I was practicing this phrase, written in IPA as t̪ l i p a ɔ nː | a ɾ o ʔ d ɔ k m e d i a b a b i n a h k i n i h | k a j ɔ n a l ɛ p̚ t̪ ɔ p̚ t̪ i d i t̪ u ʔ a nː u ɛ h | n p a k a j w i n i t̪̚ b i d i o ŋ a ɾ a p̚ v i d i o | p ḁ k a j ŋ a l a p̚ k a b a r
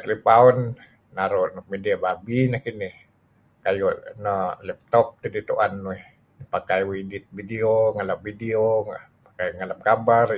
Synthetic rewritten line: t̪ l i p a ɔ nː | a ɾ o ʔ n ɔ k m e d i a b a b i n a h k i n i h | k a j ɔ n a l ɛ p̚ t̪ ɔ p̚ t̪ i d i t̪ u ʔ a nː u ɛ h | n p a k a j w i d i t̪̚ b i d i o ŋ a l a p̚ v i d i o | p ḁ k a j ŋ a l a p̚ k a b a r